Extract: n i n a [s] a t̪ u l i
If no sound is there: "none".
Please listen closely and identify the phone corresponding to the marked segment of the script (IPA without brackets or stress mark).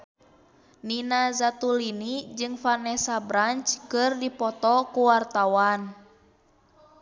z